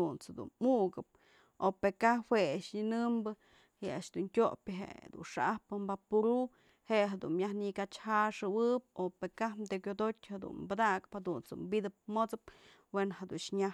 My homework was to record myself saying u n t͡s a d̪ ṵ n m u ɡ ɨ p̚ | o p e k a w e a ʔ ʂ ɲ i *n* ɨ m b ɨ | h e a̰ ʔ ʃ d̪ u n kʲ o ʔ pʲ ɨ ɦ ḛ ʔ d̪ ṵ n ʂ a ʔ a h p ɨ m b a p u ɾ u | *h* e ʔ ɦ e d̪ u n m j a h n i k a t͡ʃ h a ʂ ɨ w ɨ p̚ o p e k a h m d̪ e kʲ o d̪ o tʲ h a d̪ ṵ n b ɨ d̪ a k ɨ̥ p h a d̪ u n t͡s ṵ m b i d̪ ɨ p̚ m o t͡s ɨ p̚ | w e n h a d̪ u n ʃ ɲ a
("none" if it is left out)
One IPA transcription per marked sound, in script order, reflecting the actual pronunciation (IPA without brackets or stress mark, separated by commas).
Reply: n, h